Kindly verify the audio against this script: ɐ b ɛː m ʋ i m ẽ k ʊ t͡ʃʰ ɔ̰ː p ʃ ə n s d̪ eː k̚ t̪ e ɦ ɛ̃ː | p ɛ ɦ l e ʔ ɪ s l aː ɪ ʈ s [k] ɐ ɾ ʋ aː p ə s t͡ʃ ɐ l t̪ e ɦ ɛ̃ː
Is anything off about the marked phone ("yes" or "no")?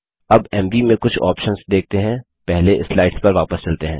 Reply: yes